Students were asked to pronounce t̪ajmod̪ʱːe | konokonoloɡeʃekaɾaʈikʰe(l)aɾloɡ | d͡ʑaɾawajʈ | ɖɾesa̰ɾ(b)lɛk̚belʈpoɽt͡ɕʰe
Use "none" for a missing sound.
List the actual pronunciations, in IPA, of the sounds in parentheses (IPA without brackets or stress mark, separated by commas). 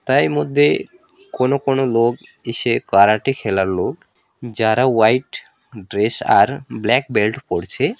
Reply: l, b